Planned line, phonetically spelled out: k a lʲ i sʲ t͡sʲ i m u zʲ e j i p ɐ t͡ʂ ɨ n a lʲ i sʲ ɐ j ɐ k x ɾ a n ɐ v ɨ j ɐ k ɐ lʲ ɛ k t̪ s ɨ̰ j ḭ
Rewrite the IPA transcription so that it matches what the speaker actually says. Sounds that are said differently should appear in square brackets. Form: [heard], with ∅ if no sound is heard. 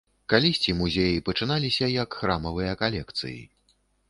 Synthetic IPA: k a lʲ i sʲ t͡sʲ i m u zʲ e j i p ɐ t͡ʂ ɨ n a lʲ i sʲ ɐ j ɐ k x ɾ a [m] ɐ v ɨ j ɐ k [a] lʲ ɛ k t̪ s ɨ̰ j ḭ